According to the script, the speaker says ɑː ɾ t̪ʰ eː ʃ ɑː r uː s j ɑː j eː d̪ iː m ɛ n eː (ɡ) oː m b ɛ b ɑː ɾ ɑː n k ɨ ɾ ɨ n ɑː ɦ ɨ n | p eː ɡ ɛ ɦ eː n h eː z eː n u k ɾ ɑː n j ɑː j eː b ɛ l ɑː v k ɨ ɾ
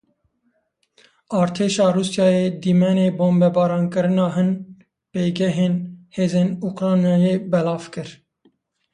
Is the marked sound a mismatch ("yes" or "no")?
yes